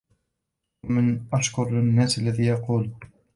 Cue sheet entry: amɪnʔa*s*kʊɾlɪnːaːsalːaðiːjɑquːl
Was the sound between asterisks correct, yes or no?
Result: no